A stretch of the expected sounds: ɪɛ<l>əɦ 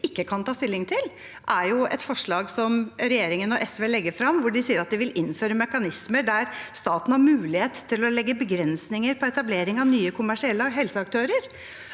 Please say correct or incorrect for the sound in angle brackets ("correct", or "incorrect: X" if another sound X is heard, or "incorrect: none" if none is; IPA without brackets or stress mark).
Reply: incorrect: lː